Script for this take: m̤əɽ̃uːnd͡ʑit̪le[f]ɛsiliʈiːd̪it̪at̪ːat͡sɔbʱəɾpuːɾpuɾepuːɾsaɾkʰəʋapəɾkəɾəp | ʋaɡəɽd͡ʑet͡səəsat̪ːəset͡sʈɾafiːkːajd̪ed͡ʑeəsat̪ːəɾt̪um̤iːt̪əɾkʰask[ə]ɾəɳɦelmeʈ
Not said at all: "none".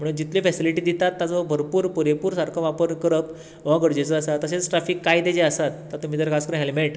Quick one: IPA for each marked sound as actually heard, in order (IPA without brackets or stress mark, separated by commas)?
f, ə